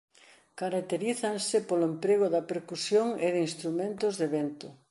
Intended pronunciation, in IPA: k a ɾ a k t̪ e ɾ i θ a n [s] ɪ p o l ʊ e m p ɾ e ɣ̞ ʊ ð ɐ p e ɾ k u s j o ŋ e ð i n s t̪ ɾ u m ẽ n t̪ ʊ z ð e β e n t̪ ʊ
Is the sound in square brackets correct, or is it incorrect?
correct